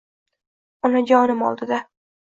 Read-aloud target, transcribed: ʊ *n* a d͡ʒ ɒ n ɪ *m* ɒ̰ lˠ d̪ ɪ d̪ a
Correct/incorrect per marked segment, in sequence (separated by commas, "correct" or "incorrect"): correct, correct